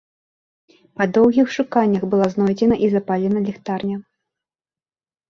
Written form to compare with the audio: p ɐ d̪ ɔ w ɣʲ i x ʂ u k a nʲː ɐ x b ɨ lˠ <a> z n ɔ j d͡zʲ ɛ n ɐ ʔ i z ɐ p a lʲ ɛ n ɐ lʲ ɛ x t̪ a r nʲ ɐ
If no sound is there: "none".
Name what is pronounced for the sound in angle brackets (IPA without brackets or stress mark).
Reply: a